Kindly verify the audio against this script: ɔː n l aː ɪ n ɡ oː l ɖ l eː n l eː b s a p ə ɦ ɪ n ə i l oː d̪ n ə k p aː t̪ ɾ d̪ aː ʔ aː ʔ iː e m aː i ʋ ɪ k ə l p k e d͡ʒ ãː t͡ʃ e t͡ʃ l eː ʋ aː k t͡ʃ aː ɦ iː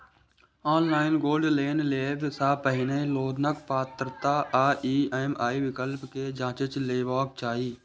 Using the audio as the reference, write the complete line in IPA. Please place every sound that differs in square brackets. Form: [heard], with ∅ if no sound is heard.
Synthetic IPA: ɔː n l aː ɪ n ɡ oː l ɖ l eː n l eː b s a p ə ɦ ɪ n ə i l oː d̪ n ə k p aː t̪ ɾ [t̪] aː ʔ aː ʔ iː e m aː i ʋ ɪ k ə l p k e d͡ʒ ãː t͡ʃ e t͡ʃ l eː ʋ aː k t͡ʃ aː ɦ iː